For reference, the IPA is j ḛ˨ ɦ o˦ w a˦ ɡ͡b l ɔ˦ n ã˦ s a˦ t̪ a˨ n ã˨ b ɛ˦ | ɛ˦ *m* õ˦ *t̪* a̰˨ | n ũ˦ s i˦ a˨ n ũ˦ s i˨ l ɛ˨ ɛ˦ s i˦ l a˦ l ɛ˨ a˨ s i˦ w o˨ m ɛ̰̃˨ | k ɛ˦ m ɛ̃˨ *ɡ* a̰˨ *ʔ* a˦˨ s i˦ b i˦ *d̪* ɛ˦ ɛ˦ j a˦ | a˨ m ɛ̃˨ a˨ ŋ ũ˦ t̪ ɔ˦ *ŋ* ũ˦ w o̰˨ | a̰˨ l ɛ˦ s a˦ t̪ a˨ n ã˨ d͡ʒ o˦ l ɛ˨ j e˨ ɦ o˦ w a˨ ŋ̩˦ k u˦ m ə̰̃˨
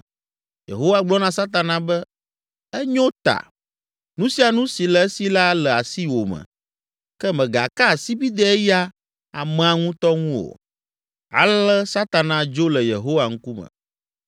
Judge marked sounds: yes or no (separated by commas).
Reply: no, yes, yes, no, yes, yes